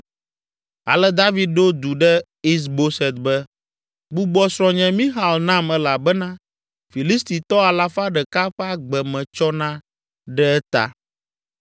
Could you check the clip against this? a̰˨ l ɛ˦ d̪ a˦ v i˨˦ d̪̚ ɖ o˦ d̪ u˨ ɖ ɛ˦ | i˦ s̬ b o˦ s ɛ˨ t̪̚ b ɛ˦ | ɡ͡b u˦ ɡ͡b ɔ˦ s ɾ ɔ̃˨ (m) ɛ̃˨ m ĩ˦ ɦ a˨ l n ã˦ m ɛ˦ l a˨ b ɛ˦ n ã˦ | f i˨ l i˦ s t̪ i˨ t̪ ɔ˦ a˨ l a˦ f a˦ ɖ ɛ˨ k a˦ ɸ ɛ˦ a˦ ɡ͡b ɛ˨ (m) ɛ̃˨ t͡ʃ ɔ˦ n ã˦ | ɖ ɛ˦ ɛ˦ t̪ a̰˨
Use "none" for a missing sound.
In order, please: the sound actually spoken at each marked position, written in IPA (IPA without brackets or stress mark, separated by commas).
ɲ, m